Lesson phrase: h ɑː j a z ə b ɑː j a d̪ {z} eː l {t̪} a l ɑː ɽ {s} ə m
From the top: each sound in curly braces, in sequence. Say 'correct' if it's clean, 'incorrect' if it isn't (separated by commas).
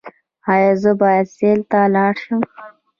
incorrect, correct, incorrect